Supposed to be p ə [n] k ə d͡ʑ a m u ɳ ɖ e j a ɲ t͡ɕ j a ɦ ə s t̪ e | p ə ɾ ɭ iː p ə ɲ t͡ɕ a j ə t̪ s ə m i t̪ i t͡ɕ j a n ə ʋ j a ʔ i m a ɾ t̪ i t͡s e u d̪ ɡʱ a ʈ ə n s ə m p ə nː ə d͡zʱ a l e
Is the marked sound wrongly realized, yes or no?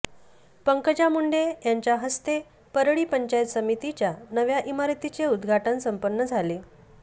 yes